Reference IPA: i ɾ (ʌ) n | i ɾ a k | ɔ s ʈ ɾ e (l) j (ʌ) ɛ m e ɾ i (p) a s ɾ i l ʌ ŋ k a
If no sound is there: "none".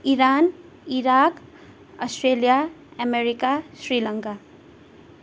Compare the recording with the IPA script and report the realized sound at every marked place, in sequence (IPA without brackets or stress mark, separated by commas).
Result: a, l, a, k